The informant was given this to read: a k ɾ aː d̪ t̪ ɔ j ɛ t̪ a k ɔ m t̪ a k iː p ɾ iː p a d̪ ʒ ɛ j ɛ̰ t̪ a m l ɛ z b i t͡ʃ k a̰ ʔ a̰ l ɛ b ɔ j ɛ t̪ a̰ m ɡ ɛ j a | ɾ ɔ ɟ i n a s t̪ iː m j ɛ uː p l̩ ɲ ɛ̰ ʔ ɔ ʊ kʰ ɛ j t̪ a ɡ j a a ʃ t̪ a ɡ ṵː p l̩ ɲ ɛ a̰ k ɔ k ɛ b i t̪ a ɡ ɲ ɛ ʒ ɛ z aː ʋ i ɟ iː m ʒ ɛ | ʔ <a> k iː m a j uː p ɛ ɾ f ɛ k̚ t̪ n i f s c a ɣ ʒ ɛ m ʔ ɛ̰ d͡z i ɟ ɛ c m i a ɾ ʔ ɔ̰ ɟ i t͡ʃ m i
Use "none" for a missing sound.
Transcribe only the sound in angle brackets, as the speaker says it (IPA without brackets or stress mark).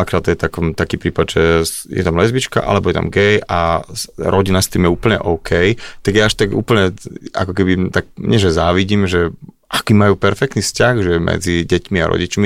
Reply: a